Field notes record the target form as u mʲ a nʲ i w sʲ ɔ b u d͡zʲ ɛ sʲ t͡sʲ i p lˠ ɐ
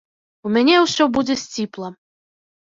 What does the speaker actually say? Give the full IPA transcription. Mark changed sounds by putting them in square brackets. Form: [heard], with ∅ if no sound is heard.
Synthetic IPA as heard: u mʲ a nʲ [ɛ] w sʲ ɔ b u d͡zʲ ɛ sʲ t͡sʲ i p lˠ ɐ